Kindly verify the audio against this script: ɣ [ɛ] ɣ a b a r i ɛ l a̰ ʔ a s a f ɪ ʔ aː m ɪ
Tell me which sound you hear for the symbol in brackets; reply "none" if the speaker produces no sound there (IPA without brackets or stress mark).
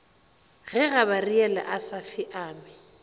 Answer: ɛ